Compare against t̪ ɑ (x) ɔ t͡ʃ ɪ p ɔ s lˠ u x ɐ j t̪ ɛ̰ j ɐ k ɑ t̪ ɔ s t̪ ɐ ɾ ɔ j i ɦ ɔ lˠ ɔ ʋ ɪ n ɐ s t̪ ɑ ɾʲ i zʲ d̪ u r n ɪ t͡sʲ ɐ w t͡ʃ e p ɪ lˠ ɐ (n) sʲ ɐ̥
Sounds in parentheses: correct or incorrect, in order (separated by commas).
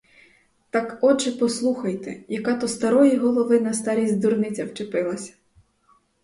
incorrect, incorrect